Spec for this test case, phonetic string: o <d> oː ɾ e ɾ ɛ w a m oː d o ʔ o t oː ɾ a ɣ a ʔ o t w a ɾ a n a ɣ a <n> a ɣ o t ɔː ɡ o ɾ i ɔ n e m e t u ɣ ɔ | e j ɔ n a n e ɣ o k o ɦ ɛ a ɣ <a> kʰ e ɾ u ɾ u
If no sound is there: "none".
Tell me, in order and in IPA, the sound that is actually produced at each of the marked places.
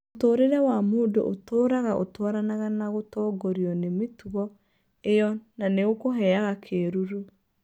t, n, a

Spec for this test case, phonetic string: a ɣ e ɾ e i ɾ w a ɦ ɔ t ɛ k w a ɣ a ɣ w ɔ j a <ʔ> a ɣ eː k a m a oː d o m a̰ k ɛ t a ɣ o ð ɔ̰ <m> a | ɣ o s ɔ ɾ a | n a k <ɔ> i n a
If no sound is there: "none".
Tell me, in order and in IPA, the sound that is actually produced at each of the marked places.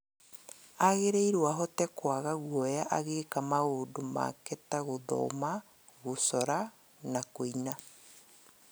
ʔ, m, o

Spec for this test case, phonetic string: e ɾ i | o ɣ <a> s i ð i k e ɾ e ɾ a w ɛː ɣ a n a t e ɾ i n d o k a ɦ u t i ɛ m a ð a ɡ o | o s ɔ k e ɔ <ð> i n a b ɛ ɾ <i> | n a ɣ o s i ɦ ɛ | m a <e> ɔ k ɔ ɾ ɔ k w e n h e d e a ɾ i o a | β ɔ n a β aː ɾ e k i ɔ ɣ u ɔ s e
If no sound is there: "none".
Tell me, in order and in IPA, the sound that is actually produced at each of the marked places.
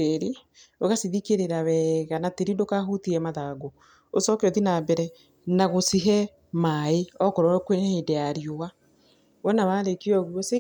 a, ð, ɛ, e

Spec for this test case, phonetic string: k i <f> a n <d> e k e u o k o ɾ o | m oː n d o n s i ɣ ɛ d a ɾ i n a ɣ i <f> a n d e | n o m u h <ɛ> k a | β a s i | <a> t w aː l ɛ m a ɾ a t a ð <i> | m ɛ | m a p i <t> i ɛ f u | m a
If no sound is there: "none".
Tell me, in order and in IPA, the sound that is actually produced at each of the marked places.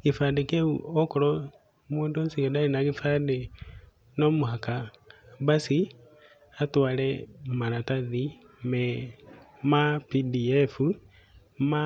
f, d, f, a, a, i, d

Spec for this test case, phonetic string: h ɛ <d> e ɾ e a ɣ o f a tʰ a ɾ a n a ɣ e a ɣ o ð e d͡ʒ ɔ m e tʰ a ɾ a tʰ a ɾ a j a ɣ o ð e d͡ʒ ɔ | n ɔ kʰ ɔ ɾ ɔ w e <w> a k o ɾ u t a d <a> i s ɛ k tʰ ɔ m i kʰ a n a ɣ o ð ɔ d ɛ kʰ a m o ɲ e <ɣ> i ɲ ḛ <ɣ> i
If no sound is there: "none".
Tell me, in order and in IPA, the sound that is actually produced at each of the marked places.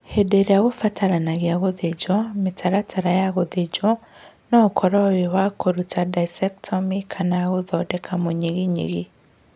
d, w, a, ɣ, ɣ

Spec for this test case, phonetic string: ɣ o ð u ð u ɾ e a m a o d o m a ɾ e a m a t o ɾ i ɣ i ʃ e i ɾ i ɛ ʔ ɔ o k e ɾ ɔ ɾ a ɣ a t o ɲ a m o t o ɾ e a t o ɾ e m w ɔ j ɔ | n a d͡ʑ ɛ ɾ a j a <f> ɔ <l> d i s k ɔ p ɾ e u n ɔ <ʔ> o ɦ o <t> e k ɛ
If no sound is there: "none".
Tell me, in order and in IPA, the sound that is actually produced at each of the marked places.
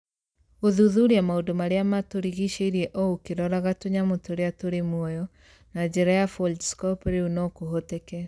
f, l, k, t

